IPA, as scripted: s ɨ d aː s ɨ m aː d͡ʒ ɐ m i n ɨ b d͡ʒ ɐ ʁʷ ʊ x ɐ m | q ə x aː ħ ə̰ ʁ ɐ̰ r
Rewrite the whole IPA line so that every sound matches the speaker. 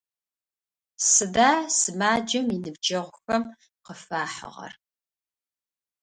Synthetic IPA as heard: s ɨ d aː s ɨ m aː d͡ʒ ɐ m i n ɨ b d͡ʒ ɐ ʁʷ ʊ x ɐ m | q ə f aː ħ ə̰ ʁ ɐ̰ r